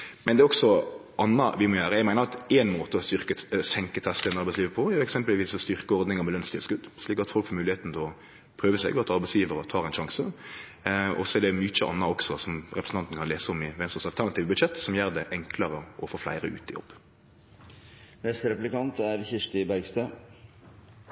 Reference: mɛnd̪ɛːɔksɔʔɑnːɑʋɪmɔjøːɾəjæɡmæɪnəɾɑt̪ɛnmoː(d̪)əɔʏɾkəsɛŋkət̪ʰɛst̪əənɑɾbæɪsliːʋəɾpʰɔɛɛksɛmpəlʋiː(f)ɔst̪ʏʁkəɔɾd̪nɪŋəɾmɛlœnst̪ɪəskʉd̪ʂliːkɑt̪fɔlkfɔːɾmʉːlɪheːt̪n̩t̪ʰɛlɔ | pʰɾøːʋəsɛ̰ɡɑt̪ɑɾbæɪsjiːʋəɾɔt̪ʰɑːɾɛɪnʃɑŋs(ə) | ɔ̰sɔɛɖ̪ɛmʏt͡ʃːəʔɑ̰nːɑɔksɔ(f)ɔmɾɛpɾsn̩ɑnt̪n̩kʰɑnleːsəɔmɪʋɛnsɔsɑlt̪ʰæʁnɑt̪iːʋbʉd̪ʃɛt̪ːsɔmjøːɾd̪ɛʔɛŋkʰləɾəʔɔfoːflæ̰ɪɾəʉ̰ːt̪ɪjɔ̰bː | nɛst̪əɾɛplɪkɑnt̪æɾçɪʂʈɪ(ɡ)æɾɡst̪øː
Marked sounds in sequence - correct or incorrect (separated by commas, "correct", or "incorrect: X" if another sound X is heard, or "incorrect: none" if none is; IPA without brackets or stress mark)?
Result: incorrect: t̪, incorrect: s, correct, incorrect: s, incorrect: b